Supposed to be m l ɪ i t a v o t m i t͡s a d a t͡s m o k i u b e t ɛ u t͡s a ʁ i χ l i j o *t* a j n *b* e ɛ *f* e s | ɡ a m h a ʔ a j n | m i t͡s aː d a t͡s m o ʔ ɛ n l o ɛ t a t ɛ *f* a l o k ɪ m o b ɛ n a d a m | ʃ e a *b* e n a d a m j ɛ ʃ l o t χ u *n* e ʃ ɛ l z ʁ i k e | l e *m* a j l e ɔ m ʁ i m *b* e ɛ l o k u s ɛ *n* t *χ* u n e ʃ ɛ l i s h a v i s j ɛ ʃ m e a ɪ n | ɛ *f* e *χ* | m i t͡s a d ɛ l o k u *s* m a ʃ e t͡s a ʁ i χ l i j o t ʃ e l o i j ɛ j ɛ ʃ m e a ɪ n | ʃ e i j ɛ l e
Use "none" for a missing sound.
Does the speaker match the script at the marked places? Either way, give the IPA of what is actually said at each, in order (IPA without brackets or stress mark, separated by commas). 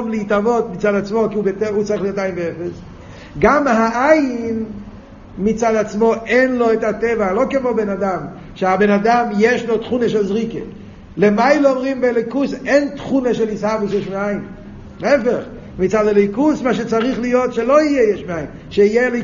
t, b, f, v, b, n, m, b, n, χ, f, χ, s